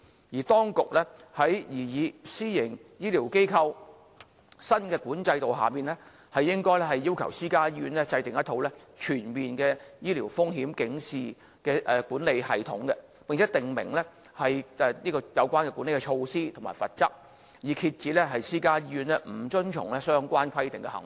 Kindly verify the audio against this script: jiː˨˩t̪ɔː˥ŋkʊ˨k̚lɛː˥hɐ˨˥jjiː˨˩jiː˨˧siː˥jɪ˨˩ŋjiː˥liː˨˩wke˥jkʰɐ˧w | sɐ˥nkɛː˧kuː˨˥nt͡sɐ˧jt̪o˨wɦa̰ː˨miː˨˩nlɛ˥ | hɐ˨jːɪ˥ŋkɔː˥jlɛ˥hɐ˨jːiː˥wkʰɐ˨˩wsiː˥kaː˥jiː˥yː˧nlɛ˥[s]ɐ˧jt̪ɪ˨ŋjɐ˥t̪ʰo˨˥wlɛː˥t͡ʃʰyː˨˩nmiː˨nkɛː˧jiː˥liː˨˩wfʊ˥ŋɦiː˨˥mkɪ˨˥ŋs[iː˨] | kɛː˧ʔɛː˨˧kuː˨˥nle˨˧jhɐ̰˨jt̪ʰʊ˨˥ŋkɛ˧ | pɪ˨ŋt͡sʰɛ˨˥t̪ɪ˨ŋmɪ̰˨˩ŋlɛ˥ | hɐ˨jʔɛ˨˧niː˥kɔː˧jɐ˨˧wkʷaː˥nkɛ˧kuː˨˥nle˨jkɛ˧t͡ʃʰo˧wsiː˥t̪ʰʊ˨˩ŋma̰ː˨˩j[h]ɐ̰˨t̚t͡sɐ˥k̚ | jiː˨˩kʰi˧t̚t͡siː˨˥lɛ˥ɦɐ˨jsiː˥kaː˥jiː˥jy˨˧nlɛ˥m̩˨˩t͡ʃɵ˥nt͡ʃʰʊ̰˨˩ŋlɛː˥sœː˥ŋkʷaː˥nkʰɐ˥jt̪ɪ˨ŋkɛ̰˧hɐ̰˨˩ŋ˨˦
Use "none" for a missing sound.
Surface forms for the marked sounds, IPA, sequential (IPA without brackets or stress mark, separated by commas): t͡s, iː˨, f